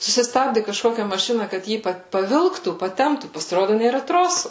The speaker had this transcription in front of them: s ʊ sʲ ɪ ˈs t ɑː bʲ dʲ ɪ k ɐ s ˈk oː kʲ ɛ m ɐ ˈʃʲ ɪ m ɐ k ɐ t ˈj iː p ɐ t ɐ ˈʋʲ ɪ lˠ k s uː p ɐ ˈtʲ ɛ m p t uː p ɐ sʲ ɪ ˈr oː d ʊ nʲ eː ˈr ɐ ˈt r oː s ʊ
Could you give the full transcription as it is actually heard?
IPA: s ʊ sʲ ɪ ˈs t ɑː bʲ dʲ ɪ k ɐ ʃ ˈk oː kʲ ɛ m ɐ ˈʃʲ ɪ n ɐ k ɐ t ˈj iː p ɐ p ɐ ˈʋʲ ɪ lˠ k t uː p ɐ ˈtʲ ɛ m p t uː p ɐ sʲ ɪ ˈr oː d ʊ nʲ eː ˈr ɐ ˈt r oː s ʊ